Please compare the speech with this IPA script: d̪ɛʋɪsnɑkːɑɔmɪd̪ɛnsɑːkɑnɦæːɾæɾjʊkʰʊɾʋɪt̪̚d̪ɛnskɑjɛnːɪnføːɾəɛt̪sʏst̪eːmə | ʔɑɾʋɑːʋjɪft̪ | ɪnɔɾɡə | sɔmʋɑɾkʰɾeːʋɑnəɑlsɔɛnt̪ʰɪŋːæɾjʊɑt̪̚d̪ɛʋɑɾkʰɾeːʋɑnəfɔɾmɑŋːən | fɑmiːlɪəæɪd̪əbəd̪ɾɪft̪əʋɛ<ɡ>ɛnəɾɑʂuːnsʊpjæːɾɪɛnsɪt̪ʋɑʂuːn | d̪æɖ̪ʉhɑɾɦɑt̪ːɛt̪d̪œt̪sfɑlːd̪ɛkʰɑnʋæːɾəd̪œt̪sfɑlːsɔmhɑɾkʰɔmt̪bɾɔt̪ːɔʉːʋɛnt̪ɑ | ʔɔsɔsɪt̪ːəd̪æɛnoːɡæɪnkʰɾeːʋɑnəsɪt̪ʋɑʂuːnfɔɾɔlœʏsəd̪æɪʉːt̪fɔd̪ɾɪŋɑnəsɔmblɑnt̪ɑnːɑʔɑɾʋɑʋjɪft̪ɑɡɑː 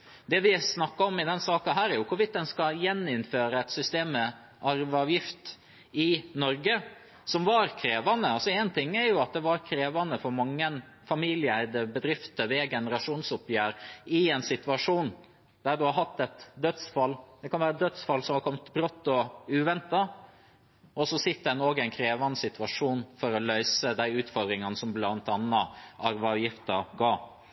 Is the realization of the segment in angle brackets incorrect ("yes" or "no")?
no